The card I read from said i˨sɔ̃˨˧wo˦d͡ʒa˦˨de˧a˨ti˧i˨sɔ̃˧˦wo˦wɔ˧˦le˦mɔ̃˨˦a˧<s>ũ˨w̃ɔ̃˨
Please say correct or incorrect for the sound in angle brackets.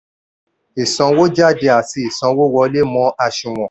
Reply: incorrect: ʃ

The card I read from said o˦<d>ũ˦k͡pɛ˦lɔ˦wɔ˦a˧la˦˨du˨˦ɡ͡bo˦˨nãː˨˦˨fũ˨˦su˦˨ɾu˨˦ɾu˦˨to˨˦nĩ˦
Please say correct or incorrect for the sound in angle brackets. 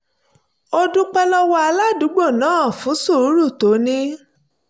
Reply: correct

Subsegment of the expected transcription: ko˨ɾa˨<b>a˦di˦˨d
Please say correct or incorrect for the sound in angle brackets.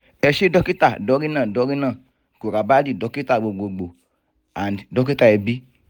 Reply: correct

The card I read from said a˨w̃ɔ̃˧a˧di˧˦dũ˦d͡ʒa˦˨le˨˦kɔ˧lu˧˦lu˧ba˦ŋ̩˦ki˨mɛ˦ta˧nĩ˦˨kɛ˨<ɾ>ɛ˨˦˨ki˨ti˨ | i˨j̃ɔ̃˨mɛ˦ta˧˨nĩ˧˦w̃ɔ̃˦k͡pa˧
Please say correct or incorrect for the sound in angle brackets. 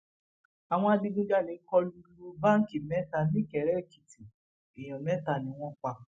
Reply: correct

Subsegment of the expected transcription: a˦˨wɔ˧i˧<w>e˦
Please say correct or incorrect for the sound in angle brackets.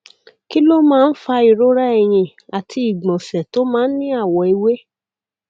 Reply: correct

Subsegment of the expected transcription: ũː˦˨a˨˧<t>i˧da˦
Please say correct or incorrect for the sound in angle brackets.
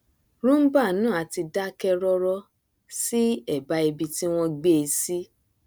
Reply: correct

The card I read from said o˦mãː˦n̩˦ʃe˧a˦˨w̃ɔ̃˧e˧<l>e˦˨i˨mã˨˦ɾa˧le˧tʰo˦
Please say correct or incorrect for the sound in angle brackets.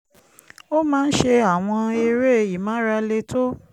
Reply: incorrect: ɾ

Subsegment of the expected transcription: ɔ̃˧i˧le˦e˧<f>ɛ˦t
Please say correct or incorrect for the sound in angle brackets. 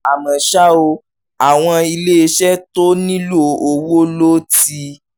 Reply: incorrect: ʃ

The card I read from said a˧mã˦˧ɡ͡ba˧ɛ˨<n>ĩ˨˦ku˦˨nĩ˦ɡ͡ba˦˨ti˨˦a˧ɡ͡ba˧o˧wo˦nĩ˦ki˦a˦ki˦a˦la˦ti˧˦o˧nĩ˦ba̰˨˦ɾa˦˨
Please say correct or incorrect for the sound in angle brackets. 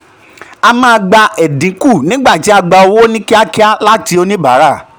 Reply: incorrect: d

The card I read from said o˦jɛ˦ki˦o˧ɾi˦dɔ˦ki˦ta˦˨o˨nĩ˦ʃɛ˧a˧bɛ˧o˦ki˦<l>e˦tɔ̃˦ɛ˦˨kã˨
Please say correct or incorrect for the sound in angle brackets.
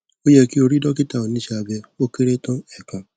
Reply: incorrect: ɾ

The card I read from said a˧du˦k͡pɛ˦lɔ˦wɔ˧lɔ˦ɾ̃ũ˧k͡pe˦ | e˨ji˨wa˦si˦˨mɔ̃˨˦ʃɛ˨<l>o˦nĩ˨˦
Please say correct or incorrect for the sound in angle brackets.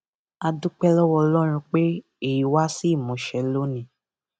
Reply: correct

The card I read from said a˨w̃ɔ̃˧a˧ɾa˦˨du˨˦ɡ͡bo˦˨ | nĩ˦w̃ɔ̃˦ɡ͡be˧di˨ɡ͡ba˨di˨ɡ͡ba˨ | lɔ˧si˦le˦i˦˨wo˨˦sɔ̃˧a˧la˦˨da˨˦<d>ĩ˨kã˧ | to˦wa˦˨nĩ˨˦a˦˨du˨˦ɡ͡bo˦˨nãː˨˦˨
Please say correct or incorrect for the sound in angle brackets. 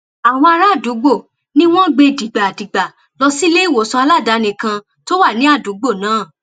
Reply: incorrect: n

